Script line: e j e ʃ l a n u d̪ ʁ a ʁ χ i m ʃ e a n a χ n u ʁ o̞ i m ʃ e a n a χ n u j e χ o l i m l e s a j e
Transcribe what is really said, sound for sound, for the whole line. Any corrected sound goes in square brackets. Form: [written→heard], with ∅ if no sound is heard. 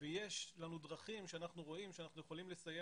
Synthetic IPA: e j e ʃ l a n u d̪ ʁ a [ʁ→∅] χ i m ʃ e a n a χ n u ʁ o̞ i m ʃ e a n a χ n u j e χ o l i m l e s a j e

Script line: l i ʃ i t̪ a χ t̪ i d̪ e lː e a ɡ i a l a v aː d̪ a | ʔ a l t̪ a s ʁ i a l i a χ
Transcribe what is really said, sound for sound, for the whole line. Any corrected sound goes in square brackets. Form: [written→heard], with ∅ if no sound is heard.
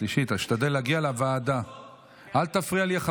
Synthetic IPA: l i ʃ i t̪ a [χ→ʃ] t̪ [i→a] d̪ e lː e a ɡ i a l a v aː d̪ a | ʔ a l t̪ a [s→f] ʁ i a l i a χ

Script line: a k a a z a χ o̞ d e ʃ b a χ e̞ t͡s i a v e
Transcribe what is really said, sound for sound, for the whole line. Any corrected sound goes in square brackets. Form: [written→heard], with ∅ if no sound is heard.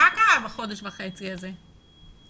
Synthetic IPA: a k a a [z→v] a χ o̞ d e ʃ [b→v] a χ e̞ t͡s i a [v→z] e

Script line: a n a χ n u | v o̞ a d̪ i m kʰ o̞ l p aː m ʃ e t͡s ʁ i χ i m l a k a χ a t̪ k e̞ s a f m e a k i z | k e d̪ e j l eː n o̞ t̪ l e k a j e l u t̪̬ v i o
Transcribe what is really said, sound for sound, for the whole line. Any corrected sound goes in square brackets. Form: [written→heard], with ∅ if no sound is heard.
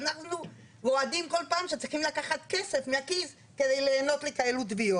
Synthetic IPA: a n a χ n u | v o̞ a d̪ i m [kʰ→k] o̞ l p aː m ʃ e t͡s ʁ i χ i m l a k a χ a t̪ k e̞ s [a→e] f m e a k i z | k e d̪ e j l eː n o̞ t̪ l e k a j e l u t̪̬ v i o

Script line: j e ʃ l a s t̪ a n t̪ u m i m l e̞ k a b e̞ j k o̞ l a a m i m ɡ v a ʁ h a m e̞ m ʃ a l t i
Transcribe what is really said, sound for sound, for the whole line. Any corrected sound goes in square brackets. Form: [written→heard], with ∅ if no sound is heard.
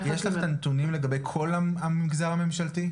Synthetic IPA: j e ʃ l a [s→χ] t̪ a n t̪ u [m→n] i m l e̞ [k→ɡ] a b e̞ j [k→kʰ] o̞ l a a m i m ɡ [v→z] a ʁ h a m e̞ m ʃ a l t i

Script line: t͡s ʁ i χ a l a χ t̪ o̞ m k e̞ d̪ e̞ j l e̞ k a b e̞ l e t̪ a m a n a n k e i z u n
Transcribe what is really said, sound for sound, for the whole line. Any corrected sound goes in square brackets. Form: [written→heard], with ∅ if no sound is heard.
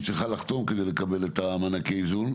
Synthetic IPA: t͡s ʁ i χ a l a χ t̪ o̞ m k e̞ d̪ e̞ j l e̞ k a b e̞ l e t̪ a m a n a [n→∅] k e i z u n

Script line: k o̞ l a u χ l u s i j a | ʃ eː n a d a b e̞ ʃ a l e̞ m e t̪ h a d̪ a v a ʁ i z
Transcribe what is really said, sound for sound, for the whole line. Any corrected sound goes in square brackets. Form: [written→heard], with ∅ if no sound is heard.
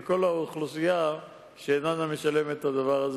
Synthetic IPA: k o̞ l a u χ l u s i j a | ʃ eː n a [d→n] a [b→m] e̞ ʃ a l e̞ m e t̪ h a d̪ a v a ʁ [i→a] z

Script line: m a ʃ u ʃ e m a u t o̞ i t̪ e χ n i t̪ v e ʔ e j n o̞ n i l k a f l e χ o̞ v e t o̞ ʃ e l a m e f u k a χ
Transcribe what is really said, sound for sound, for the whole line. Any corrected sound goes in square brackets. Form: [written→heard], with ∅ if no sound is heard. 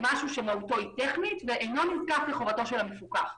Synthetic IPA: m a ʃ u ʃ e m a u t o̞ i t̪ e χ n i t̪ v e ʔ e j n o̞ n i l k a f l e χ o̞ v [e→a] t o̞ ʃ e l a m e f u k a χ

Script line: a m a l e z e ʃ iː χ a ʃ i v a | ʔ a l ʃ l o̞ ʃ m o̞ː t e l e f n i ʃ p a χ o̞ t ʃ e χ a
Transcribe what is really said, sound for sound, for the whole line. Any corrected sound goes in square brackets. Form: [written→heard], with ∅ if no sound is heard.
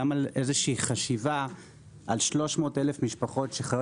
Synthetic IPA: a m a l e z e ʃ iː χ a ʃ i v a | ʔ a l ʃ l o̞ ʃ m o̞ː t e l e f [n→m] i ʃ p a χ o̞ t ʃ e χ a

